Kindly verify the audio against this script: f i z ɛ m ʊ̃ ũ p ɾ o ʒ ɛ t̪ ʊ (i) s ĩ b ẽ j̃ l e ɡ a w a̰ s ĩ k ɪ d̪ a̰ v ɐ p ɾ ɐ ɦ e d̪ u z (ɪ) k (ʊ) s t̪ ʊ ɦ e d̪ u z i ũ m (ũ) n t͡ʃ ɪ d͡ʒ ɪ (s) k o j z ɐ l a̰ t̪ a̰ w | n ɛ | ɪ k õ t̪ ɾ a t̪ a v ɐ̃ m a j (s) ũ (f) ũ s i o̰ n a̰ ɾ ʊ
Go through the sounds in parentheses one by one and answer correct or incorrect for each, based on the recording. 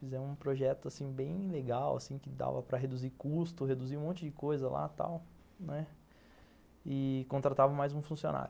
incorrect, incorrect, incorrect, incorrect, incorrect, incorrect, correct

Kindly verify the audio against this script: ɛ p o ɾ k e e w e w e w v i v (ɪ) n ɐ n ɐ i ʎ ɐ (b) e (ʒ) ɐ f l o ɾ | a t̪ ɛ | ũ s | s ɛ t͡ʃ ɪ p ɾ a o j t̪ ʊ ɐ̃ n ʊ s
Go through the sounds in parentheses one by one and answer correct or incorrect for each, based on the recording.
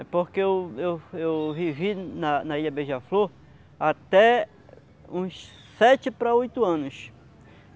incorrect, correct, correct

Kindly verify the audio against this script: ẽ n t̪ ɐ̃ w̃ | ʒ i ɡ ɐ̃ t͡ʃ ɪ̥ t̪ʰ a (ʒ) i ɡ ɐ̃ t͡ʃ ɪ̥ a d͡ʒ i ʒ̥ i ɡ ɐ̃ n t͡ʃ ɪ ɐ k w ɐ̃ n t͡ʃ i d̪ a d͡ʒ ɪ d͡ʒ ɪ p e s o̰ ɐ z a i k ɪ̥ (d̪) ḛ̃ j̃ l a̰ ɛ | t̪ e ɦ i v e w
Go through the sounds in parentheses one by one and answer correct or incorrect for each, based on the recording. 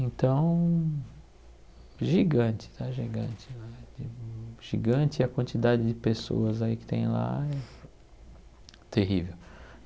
correct, incorrect

